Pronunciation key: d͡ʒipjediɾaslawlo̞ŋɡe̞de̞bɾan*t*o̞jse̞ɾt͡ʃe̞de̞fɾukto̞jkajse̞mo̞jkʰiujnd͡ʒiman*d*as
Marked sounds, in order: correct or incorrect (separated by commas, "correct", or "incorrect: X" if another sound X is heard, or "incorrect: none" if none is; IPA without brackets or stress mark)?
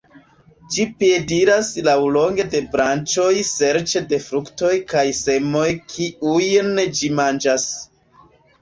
incorrect: t͡ʃ, incorrect: d͡ʒ